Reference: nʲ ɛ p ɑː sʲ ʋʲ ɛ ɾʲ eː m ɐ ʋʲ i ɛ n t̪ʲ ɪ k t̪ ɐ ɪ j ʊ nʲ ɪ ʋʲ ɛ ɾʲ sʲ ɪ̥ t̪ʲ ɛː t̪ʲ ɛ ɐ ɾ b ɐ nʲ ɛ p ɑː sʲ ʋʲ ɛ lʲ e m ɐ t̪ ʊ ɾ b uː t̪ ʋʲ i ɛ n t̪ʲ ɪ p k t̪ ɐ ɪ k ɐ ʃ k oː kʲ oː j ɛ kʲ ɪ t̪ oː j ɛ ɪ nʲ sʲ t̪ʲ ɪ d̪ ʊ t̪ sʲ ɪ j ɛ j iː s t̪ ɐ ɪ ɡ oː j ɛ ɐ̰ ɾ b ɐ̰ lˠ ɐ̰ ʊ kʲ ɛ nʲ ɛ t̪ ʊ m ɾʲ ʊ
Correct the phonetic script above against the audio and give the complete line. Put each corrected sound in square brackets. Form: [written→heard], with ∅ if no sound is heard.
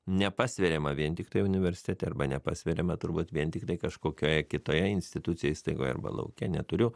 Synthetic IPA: nʲ ɛ p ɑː sʲ ʋʲ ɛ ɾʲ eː m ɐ ʋʲ i ɛ n t̪ʲ ɪ k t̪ ɐ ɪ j ʊ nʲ ɪ ʋʲ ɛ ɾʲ sʲ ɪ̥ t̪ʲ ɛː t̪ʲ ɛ ɐ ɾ b ɐ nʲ ɛ p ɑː sʲ ʋʲ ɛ [lʲ→ɾʲ] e m ɐ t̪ ʊ ɾ b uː t̪ ʋʲ i ɛ n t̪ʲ ɪ [p→∅] k t̪ ɐ ɪ k ɐ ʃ k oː kʲ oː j ɛ kʲ ɪ t̪ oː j ɛ ɪ nʲ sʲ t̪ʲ ɪ [d̪→t̪] ʊ t̪ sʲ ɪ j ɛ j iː s t̪ ɐ ɪ ɡ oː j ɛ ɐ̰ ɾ b ɐ̰ lˠ ɐ̰ ʊ kʲ ɛ nʲ ɛ t̪ ʊ [m→∅] ɾʲ ʊ